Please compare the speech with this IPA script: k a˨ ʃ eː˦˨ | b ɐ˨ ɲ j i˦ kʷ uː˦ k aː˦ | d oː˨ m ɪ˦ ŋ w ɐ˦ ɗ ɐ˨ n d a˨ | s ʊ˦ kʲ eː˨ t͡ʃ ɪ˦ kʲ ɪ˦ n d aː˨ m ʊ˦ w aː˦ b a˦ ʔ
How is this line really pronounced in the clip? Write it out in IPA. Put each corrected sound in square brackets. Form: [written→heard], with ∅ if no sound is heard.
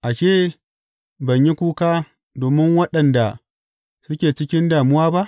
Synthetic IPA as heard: [k→ʔ] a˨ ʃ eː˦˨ | b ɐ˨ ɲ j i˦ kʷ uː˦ k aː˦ | d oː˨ m ɪ˦ ŋ w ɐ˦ ɗ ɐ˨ n d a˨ | s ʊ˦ kʲ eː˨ t͡ʃ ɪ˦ kʲ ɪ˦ n d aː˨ m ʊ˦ w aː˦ b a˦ ʔ